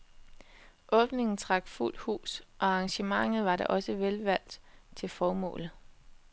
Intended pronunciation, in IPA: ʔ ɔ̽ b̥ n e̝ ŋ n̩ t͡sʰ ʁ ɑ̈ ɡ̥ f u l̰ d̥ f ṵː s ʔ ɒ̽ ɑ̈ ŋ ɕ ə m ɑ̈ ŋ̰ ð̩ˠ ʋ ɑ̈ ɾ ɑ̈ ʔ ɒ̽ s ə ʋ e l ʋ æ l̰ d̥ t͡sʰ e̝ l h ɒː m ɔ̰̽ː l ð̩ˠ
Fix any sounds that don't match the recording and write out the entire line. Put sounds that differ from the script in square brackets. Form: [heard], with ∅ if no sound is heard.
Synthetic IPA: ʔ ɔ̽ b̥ n e̝ ŋ n̩ t͡sʰ ʁ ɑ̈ ɡ̥ f u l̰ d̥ [h] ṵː s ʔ ɒ̽ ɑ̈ ŋ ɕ ə m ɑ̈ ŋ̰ ð̩ˠ ʋ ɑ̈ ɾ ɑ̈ ʔ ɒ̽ s ə ʋ e l ʋ æ l̰ d̥ t͡sʰ e̝ l [f] ɒː m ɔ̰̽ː l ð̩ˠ